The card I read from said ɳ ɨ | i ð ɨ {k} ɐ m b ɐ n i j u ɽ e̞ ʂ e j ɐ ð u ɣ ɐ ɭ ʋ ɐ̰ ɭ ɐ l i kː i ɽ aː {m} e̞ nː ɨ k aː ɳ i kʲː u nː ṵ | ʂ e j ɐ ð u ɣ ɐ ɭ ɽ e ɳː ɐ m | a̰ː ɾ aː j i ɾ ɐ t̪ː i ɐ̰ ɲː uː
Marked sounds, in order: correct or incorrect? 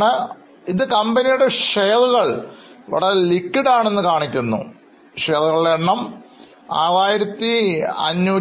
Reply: correct, incorrect: ɳ

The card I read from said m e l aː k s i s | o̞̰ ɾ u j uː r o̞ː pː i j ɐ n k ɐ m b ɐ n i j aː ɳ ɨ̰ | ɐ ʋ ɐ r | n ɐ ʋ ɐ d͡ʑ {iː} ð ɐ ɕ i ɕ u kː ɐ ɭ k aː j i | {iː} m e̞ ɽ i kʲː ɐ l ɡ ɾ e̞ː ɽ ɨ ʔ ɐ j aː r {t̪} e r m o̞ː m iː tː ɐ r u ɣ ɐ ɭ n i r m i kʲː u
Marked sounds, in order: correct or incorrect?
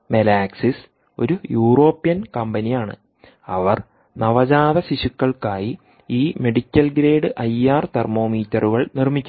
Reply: incorrect: aː, correct, correct

